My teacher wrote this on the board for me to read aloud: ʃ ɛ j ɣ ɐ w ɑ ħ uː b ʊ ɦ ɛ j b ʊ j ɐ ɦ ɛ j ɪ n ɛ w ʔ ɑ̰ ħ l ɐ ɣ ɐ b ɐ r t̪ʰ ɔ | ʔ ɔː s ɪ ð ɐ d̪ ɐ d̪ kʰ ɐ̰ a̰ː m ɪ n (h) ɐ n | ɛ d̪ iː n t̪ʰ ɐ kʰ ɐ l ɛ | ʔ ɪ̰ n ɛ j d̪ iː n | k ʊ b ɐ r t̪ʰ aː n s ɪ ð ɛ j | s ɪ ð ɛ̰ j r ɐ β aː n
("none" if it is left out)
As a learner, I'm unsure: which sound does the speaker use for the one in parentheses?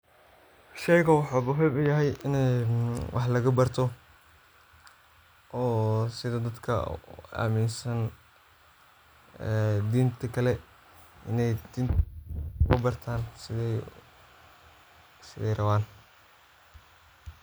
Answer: s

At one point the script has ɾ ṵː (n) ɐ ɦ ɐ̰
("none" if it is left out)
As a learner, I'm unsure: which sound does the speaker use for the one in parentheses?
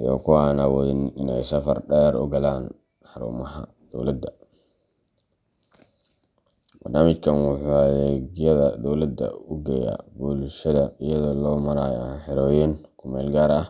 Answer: m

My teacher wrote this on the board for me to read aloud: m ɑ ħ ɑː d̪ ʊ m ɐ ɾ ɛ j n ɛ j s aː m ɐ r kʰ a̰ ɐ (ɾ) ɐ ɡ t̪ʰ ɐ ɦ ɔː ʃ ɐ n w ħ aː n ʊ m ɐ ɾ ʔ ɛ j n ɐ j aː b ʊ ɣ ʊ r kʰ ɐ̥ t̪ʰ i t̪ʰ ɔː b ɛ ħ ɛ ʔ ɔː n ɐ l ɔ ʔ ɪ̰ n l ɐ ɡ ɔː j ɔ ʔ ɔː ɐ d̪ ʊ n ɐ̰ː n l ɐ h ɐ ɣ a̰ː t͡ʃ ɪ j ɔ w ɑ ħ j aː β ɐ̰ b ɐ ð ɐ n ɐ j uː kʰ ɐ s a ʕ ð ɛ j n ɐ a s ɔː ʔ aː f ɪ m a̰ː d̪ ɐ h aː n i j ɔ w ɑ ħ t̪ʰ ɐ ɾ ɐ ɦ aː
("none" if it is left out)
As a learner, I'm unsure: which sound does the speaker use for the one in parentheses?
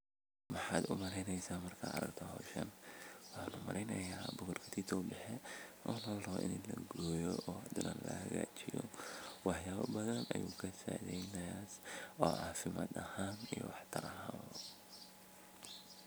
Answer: ɾ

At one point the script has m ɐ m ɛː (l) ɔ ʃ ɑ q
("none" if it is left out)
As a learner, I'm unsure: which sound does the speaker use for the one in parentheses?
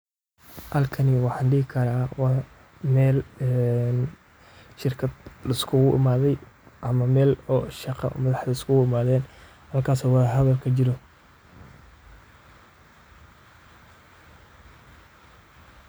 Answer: l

